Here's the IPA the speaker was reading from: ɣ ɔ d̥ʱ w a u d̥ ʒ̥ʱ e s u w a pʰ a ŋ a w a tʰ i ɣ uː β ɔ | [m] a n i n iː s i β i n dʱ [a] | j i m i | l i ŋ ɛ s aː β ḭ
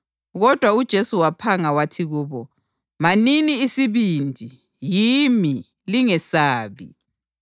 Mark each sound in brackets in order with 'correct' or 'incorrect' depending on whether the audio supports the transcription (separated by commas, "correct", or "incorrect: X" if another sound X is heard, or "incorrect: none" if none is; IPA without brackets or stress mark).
correct, incorrect: i